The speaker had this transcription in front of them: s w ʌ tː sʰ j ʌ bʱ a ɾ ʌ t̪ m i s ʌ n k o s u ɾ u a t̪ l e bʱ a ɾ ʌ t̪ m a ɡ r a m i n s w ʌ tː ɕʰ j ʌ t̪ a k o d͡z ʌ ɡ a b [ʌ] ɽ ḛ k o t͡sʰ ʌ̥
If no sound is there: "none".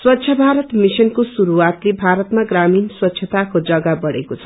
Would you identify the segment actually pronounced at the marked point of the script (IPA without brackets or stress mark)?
ʌ